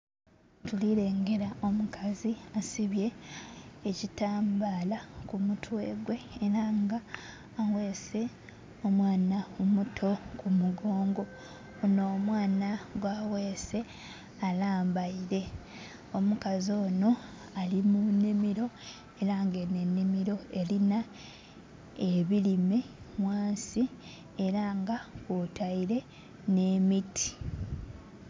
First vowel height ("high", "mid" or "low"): high